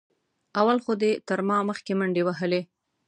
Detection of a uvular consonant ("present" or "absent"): absent